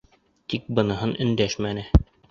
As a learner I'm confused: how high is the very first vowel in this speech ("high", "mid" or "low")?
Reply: high